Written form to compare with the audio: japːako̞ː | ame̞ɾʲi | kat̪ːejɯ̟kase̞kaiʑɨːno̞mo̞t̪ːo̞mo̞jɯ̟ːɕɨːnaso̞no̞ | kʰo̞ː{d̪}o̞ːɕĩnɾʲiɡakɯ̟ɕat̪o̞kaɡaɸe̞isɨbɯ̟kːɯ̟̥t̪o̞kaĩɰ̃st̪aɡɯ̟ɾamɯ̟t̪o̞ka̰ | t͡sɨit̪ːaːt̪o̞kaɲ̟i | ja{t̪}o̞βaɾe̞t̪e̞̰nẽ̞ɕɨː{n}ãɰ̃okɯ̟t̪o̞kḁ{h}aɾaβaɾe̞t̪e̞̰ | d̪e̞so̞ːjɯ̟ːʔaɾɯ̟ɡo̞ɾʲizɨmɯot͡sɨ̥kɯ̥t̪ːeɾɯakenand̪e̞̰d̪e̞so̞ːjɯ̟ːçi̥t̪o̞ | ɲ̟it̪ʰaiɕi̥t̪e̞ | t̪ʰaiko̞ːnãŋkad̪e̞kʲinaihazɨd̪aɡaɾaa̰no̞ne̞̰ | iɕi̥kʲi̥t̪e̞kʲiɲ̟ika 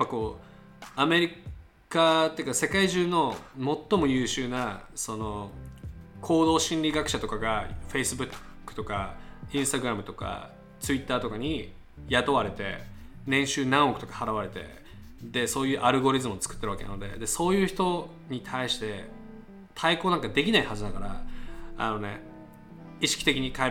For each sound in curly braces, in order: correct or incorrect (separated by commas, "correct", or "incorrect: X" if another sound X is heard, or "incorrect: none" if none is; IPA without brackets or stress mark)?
correct, correct, correct, correct